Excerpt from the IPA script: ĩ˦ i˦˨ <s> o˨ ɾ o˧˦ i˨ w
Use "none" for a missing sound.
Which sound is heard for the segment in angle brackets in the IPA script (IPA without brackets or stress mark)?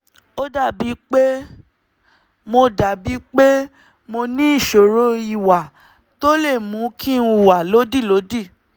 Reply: ʃ